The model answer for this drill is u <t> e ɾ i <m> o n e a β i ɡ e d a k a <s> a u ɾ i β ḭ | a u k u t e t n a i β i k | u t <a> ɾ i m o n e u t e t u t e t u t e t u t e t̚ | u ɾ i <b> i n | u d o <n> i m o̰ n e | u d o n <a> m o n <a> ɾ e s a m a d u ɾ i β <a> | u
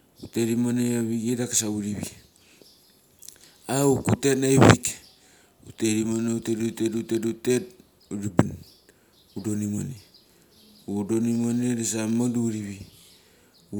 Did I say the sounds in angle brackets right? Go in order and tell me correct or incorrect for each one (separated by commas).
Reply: correct, correct, correct, incorrect, correct, correct, incorrect, incorrect, incorrect